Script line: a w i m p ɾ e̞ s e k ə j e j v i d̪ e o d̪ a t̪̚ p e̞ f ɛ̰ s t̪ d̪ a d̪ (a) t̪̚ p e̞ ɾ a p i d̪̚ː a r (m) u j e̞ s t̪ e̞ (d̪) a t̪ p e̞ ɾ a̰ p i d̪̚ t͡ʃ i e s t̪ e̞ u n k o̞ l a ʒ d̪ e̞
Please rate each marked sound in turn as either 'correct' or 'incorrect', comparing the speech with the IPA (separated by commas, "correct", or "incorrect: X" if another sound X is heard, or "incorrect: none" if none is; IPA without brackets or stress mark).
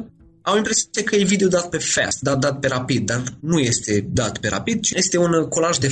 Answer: correct, incorrect: n, correct